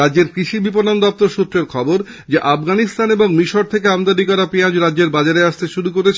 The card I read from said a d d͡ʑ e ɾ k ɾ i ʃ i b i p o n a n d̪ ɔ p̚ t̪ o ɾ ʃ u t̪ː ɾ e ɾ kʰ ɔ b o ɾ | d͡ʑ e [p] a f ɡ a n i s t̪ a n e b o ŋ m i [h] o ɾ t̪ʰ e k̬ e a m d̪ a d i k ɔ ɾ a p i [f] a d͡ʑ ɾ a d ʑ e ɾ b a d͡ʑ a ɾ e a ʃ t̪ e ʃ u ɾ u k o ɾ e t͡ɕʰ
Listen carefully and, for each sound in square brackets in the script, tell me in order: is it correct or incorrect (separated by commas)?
incorrect, incorrect, incorrect